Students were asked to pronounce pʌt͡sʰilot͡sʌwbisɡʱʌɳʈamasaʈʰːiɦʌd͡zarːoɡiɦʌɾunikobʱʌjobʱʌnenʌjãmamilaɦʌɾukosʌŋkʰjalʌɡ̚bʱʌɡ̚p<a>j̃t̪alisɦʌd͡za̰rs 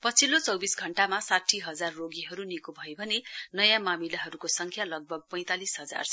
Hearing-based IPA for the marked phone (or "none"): ʌ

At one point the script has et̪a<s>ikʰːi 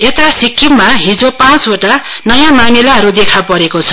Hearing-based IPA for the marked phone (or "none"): s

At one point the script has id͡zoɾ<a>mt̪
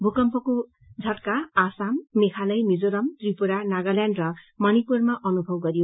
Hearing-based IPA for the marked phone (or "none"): ʌ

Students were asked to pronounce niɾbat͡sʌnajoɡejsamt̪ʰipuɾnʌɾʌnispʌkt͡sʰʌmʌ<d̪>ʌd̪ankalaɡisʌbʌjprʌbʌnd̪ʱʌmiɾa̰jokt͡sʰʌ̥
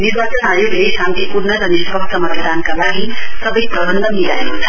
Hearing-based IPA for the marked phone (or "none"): t̪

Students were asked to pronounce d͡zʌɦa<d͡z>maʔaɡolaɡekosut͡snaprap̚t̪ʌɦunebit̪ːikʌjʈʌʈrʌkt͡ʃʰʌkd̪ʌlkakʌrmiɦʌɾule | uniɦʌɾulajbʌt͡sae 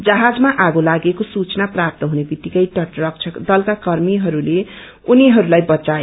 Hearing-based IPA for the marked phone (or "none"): d͡z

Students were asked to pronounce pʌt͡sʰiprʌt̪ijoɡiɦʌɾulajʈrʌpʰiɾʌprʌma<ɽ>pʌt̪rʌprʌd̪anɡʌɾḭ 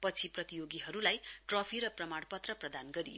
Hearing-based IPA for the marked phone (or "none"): ɽ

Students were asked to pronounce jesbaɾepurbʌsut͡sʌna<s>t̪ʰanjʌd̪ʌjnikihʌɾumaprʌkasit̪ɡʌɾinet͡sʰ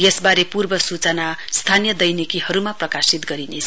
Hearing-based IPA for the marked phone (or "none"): s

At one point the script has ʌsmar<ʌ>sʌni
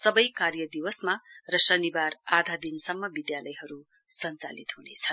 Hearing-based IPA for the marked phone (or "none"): ʌ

